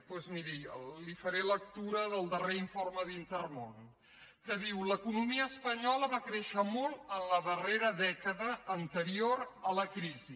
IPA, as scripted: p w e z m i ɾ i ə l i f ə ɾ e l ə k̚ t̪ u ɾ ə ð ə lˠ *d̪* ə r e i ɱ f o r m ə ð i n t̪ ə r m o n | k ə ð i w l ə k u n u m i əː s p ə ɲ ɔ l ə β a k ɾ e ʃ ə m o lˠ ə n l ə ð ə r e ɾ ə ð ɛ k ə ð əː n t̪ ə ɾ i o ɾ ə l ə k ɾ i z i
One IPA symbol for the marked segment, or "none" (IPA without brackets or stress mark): d̪